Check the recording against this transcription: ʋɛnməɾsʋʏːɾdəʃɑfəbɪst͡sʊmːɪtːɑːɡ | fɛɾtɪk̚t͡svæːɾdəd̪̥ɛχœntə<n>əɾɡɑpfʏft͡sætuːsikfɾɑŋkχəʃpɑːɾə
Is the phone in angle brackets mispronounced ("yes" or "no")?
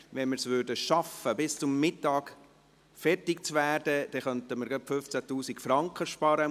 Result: yes